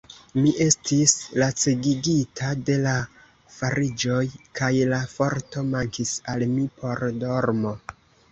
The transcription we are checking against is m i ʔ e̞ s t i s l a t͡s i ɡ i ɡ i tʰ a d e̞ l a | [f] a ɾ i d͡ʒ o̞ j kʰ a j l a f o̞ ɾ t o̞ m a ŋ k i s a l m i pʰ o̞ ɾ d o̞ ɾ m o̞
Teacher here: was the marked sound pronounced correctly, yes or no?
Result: yes